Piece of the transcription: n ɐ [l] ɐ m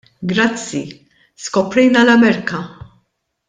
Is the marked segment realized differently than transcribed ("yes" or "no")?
no